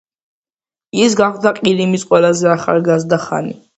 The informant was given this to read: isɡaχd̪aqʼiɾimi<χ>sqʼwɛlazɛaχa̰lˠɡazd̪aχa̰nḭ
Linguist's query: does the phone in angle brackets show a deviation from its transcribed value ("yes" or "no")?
yes